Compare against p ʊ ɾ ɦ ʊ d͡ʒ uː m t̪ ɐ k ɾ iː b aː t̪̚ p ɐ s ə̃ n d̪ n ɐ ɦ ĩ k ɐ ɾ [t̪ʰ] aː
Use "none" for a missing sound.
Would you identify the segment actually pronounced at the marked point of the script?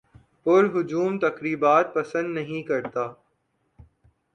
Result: t̪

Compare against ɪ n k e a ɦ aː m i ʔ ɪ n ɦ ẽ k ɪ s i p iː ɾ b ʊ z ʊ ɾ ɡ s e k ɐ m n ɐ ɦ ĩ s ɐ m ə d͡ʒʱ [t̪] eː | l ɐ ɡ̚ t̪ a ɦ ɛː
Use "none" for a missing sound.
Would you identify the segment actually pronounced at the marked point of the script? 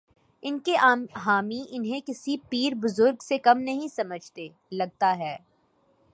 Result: t̪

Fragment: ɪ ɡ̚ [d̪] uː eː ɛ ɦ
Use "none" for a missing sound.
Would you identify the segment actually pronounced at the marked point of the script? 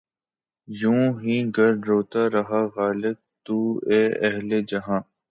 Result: t̪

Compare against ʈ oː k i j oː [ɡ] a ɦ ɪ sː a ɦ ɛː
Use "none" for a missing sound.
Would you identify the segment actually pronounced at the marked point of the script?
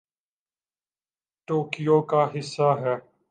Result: k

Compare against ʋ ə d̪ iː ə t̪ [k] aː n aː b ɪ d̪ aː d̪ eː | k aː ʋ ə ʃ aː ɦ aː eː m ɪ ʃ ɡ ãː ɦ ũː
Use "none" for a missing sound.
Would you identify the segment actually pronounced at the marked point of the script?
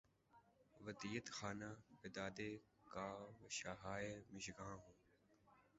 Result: x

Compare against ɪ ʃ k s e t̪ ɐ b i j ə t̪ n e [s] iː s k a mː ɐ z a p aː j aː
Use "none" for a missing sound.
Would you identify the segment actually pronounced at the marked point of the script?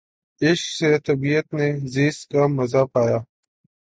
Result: z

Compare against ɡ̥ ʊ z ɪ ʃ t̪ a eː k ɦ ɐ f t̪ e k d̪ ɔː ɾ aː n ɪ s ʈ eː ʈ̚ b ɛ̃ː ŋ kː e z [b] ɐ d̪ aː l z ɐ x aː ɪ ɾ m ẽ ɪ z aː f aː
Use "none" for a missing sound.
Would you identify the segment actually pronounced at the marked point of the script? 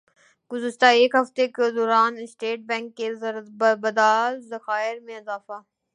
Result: b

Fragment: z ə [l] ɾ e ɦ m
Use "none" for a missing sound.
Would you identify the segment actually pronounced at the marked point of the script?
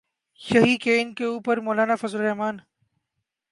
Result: l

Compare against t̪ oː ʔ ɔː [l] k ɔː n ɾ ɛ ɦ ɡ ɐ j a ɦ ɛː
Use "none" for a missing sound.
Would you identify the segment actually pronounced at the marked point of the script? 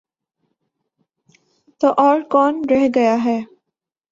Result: ɾ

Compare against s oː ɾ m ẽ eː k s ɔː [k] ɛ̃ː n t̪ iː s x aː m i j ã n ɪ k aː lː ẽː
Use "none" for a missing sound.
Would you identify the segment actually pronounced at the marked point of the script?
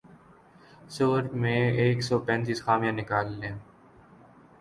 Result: p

